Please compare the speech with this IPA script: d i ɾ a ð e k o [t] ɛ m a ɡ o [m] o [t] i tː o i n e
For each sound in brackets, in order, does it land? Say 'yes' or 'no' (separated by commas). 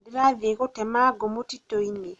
yes, yes, yes